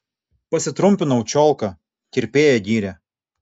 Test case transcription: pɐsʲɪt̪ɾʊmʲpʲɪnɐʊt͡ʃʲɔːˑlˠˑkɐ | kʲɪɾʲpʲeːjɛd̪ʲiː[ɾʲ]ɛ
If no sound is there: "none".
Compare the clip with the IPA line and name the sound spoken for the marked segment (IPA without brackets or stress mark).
ɾʲ